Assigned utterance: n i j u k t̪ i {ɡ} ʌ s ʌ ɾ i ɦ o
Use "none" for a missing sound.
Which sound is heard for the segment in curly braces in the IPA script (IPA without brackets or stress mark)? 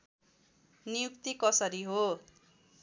k